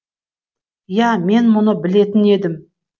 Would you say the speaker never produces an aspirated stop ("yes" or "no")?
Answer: yes